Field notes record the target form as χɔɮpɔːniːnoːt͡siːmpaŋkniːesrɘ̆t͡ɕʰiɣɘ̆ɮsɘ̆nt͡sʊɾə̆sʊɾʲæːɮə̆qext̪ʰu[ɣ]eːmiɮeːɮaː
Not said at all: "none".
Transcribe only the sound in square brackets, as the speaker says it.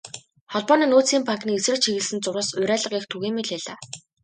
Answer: ɣ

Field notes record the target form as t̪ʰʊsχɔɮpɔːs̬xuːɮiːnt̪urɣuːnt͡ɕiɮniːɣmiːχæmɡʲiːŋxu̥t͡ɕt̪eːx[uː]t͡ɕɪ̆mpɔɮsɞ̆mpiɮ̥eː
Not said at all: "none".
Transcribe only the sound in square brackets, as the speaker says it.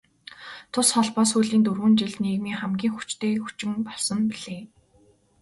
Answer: u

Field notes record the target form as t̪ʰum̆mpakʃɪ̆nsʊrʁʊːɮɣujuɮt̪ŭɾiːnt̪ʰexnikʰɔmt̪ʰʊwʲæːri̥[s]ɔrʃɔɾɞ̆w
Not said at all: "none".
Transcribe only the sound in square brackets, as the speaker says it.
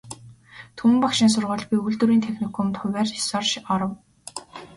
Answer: s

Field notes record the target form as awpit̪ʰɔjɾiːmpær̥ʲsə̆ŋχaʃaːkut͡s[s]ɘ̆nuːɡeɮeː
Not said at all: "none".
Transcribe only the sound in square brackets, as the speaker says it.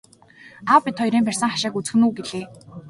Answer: x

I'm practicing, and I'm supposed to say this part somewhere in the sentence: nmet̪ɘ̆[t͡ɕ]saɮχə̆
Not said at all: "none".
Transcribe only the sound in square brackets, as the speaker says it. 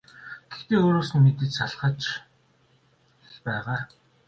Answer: t͡ɕ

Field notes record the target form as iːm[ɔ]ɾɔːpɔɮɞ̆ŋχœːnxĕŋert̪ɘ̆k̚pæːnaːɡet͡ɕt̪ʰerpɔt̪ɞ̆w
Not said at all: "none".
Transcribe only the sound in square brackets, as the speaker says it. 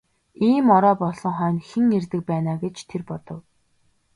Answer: ɔ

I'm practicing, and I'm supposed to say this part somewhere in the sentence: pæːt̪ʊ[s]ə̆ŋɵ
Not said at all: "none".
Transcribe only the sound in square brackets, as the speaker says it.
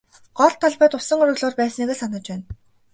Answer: s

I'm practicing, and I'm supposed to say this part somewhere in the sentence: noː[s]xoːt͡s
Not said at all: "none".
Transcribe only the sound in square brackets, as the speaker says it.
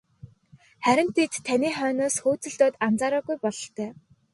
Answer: s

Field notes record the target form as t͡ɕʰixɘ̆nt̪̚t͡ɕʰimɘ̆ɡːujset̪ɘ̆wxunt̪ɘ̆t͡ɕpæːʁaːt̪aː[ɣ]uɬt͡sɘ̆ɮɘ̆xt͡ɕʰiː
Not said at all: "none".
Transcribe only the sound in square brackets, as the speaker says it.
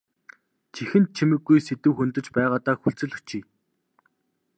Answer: x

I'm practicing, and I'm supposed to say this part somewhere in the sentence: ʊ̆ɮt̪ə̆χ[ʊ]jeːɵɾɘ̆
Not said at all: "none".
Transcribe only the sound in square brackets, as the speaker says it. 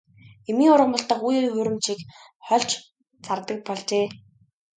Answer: u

